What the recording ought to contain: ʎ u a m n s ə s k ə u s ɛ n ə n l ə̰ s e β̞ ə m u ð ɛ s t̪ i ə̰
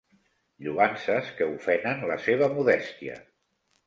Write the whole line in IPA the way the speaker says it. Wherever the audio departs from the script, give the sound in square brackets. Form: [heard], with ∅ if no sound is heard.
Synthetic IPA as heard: ʎ u a [∅] n s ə s k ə u [f] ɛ n ə n l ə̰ s e β̞ ə m u ð ɛ s t̪ i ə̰